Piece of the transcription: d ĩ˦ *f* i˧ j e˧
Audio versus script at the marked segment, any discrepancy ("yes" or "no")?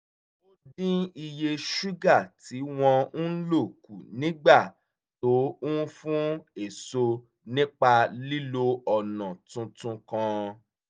yes